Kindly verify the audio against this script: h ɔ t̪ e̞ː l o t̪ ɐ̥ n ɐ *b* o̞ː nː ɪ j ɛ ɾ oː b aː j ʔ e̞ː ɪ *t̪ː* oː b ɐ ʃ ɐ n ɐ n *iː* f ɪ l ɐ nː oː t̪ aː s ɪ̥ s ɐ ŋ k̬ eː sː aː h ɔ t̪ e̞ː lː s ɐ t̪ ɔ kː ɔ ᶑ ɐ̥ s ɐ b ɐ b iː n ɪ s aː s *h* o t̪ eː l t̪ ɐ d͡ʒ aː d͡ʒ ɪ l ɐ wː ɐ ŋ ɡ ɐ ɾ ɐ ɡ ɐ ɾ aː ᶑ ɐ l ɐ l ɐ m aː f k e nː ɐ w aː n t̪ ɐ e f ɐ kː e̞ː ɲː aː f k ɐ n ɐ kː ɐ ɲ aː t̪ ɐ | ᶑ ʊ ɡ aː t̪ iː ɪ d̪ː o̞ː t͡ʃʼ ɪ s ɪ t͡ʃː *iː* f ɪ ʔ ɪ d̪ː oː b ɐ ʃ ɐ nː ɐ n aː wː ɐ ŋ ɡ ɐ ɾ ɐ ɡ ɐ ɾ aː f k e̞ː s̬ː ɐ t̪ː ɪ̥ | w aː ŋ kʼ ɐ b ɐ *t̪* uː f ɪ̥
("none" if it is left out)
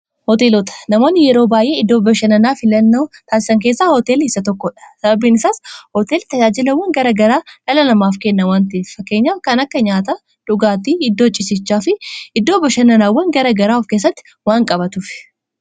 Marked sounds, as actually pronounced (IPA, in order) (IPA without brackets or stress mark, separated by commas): m, d̪ː, aː, h, aː, t̪